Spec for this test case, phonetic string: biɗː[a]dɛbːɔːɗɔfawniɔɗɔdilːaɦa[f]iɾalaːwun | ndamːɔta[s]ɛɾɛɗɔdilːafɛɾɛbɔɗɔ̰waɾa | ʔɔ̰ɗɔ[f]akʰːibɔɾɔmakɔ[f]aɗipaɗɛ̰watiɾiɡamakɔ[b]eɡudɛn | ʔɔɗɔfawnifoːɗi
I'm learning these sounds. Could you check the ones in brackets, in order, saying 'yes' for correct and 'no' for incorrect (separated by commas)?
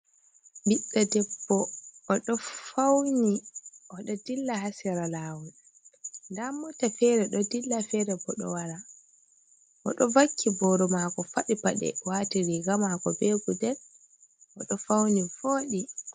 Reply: yes, no, no, no, yes, yes